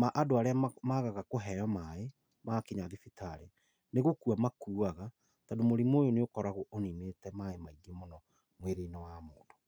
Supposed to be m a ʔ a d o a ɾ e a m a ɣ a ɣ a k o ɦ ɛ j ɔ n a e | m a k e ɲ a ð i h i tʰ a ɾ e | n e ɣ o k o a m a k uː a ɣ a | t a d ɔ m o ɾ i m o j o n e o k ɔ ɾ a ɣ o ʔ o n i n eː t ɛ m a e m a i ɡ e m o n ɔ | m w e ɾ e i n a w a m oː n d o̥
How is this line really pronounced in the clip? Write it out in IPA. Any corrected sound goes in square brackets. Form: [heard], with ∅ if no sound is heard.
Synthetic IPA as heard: m a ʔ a d o a ɾ e a m a ɣ a ɣ a k o ɦ ɛ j ɔ [m] a e | m a k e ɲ a ð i [f] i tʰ a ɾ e | n e ɣ o k [u] a m a k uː a ɣ a | t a d [o] m o ɾ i m o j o n e o k ɔ ɾ a ɣ o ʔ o n i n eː t ɛ m a e m a i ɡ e m o n ɔ | m w e ɾ e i n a w a m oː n d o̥

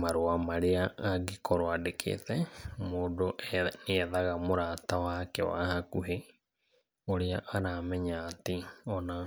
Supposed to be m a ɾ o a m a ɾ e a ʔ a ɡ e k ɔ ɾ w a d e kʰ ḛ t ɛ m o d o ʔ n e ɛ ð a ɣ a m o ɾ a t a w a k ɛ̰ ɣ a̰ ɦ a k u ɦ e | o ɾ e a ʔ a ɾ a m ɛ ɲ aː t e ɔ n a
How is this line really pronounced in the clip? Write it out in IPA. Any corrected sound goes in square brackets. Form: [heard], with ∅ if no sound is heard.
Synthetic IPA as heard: m a ɾ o a m a ɾ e a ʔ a ɡ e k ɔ ɾ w a d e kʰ ḛ t ɛ m o d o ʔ n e ɛ ð a ɣ a m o ɾ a t a w a k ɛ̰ [w] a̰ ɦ a k u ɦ e | o ɾ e a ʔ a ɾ a m ɛ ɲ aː t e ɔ n a

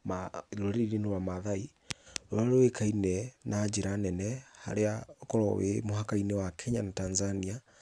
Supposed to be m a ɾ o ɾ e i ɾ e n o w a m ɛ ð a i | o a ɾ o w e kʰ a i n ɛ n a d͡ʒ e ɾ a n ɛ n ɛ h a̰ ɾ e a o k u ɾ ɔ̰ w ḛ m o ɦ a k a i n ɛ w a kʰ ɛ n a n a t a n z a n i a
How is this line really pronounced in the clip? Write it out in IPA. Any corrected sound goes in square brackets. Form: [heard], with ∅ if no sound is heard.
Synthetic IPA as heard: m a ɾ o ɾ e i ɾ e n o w a m [a] ð a i | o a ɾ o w e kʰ a i n ɛ n a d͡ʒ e ɾ a n ɛ n ɛ h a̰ ɾ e a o k [ɔ] ɾ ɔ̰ w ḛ m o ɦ a k a i n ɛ w a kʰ ɛ [ɲ] a n a t a n z a n i a

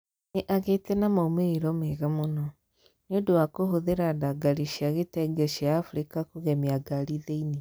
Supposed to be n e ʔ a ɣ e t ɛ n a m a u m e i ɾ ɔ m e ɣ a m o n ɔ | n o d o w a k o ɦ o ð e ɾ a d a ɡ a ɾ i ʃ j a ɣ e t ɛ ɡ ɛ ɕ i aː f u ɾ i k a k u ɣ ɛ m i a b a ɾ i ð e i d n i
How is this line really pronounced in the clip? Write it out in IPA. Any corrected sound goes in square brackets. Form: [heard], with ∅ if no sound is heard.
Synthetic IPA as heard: n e ʔ a ɣ e t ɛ n a m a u m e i ɾ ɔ m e ɣ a m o n ɔ | n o d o w a k o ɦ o ð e ɾ a d a ɡ a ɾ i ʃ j a ɣ e t ɛ ɡ ɛ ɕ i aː f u ɾ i k a k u ɣ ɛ m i a [ɡ] a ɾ i ð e i [∅] n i

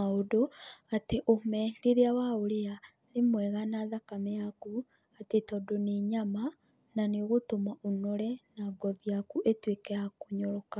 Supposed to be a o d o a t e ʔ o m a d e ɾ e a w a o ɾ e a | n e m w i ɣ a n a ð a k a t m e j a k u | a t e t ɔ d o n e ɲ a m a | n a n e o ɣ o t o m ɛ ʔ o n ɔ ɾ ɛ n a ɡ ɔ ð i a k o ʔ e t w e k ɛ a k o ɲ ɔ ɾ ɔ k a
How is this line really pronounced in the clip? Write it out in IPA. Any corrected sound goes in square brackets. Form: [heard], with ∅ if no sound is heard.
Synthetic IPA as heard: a o d o a t e ʔ o m [ɛ] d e ɾ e a w a o ɾ e a | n e m w [ɛ] ɣ a n a ð a k a [∅] m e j a k u | a t e t ɔ d o n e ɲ a m a | n a n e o ɣ o t o m [a] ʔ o n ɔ ɾ ɛ n a ɡ ɔ ð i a k [u] ʔ e t w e k ɛ a k o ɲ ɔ ɾ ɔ k a

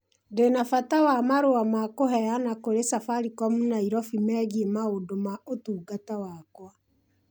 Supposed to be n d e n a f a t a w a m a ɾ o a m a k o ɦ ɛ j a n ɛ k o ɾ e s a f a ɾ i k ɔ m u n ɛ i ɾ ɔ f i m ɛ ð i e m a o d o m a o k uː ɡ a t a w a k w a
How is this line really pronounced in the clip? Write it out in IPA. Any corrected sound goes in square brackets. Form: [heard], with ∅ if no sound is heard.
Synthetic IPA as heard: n d e n a f a t a w a m a ɾ o a m a k o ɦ ɛ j a n [a] k o ɾ e s a f a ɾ i k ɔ m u n [a] i ɾ ɔ f i m ɛ [ɣ] i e m a o d o m a o [t] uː ɡ a t a w a k w a

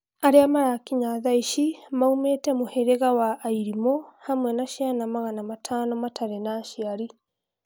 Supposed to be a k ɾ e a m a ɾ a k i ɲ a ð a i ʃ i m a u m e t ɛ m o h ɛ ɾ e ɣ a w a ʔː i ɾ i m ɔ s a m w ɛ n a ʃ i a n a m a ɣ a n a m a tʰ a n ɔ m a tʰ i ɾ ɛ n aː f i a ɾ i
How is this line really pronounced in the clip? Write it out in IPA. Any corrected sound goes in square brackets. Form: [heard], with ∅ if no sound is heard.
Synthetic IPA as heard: a [∅] ɾ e a m a ɾ a k i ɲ a ð a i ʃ i m a u m e t ɛ m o h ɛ ɾ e ɣ a w a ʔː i ɾ i m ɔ [h] a m w ɛ n a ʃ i a n a m a ɣ a n a m a tʰ a n ɔ m a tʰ [a] ɾ ɛ n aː [ʃ] i a ɾ i

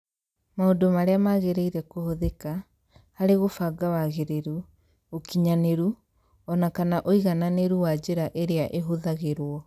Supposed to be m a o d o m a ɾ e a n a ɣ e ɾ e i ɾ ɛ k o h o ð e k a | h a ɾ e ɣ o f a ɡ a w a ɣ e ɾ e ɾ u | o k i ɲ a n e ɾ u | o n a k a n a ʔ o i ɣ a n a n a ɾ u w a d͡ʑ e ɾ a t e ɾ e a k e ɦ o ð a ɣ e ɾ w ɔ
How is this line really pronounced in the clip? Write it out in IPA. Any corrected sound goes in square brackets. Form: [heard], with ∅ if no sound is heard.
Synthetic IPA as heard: m a o d o m a ɾ e a [m] a ɣ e ɾ e i ɾ ɛ k o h o ð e k a | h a ɾ e ɣ o f a ɡ a w a ɣ e ɾ e ɾ u | o k i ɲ a n e ɾ u | [ɔ] n a k a n a ʔ o i ɣ a n a n [e] ɾ u w a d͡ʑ e ɾ a [ʔ] e ɾ e a [ʔ] e ɦ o ð a ɣ e ɾ w ɔ

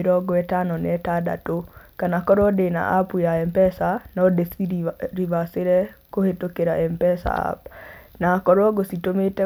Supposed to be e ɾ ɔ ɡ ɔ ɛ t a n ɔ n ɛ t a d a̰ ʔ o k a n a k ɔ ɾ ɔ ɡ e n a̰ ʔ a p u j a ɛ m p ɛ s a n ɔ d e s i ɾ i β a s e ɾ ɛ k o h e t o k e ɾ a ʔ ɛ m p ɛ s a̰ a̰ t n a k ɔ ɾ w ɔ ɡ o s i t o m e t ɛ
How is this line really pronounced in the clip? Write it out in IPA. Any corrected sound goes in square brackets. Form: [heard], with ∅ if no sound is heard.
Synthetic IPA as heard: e ɾ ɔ ɡ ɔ ɛ t a n ɔ n ɛ t a d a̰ [t] o k a n a k ɔ ɾ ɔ [d] e n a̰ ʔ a p u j a ɛ m p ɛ s a n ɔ d e s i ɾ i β a s e ɾ ɛ k o h e t o k e ɾ a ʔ ɛ m p ɛ s a̰ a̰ [p] n a k ɔ ɾ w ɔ ɡ o s i t o m e t ɛ

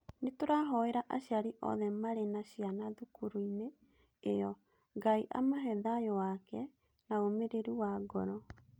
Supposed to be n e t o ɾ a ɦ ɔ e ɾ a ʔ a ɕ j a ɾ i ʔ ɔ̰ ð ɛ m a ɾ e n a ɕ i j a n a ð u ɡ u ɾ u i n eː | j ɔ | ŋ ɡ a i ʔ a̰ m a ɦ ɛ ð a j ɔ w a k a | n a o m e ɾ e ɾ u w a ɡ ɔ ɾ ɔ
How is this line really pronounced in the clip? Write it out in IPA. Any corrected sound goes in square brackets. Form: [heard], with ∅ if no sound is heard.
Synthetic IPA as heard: n e t o ɾ a ɦ ɔ e ɾ a ʔ a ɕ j a ɾ i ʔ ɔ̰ ð ɛ m a ɾ e n a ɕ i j a n a ð u [k] u ɾ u i n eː | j ɔ | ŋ ɡ a i ʔ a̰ m a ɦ ɛ ð a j ɔ w a k [ɛ] | n a o m e ɾ e ɾ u w a ɡ ɔ ɾ ɔ

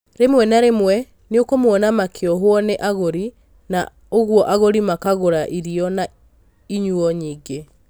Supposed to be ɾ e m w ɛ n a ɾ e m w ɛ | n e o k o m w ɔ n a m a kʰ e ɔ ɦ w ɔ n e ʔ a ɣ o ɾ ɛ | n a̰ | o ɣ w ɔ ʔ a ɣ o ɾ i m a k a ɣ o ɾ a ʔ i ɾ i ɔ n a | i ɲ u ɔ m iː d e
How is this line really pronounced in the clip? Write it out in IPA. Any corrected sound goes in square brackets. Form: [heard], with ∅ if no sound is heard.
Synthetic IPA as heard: ɾ e m w ɛ n a ɾ e m w ɛ | n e o k o m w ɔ n a m a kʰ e ɔ ɦ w ɔ n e ʔ a ɣ o ɾ [i] | n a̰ | o ɣ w ɔ ʔ a ɣ o ɾ i m a k a ɣ o ɾ a ʔ i ɾ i ɔ n a | i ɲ u ɔ [ɲ] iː [ɡ] e

